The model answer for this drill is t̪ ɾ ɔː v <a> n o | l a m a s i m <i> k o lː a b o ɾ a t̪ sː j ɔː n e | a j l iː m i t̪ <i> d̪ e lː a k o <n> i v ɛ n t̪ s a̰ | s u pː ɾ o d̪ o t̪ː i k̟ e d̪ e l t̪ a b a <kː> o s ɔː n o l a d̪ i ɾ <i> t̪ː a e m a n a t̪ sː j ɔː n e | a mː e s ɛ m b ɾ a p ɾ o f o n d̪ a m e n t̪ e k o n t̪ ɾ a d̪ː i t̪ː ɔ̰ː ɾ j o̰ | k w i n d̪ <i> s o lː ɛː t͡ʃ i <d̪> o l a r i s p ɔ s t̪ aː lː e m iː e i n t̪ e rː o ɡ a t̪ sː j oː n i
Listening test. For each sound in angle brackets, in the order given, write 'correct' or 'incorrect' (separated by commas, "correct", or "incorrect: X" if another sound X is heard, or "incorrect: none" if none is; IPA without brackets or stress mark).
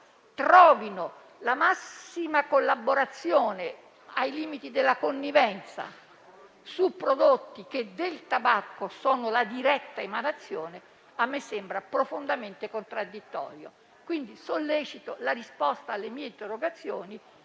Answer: incorrect: i, incorrect: a, correct, incorrect: nː, correct, incorrect: ɛ, correct, incorrect: t̪